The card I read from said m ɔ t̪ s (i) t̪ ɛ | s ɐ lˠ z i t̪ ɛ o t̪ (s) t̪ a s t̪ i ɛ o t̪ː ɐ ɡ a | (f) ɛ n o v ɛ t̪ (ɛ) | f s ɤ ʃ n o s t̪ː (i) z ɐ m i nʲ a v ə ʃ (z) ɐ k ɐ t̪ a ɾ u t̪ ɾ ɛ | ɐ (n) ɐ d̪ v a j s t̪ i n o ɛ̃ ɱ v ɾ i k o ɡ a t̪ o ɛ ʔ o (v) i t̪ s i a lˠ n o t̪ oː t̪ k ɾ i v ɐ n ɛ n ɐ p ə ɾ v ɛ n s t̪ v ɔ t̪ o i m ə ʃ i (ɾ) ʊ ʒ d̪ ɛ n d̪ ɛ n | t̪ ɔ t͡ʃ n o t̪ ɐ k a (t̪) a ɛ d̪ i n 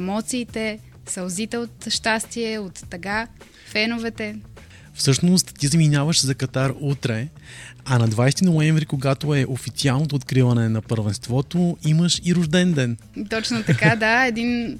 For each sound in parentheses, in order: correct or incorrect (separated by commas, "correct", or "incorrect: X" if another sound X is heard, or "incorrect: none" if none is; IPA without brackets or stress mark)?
incorrect: iː, incorrect: ʃ, correct, correct, correct, correct, correct, incorrect: f, correct, incorrect: d̪